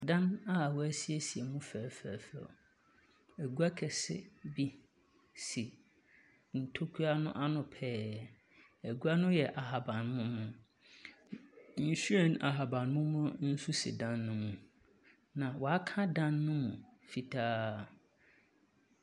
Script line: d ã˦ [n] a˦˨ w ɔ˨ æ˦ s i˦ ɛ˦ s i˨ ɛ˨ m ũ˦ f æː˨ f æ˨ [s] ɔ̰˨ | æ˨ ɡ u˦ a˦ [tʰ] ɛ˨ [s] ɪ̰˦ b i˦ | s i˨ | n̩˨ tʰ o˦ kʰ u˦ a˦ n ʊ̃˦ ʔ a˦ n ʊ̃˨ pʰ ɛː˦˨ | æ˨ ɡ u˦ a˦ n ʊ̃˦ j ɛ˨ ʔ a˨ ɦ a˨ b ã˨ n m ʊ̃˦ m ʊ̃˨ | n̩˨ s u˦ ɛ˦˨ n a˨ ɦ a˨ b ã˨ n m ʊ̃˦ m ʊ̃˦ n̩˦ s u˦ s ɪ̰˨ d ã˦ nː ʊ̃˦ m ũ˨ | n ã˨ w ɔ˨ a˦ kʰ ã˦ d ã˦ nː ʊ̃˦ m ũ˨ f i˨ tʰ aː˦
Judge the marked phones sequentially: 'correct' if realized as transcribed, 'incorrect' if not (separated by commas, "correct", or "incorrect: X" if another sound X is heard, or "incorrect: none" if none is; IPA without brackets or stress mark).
correct, incorrect: f, incorrect: kʰ, correct